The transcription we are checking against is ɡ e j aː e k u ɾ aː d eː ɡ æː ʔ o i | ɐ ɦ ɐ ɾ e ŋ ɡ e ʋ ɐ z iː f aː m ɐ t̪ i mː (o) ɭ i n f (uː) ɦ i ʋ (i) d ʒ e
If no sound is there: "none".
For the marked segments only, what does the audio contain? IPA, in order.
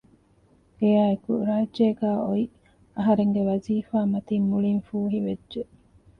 u, uː, e

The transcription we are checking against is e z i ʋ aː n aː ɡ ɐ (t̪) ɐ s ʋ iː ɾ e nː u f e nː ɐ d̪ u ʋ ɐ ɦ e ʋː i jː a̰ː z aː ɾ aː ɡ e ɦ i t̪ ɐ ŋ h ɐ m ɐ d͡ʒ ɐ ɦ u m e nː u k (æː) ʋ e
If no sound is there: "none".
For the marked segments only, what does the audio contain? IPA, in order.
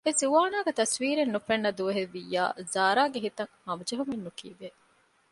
t̪, iː

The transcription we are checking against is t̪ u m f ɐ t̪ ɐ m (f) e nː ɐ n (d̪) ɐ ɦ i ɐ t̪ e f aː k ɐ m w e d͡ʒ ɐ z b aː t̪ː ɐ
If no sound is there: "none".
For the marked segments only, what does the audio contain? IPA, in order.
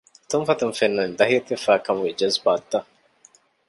f, d̪

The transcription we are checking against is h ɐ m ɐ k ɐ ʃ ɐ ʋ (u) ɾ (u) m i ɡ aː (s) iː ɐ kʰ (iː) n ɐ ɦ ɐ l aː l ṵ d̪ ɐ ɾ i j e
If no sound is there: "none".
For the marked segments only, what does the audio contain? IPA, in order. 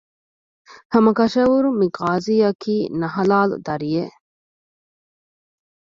u, u, z, iː

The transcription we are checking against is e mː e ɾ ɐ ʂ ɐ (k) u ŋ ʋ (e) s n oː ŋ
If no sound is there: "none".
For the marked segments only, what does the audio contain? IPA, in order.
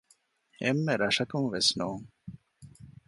k, e

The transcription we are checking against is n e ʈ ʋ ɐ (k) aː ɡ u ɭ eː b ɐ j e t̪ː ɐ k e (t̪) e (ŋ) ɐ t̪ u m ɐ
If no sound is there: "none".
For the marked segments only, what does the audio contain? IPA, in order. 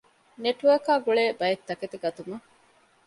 k, t̪, ɡ

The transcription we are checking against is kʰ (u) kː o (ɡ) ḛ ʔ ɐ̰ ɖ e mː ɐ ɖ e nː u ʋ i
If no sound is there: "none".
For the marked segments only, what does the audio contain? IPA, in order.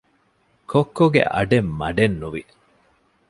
o, ɡ

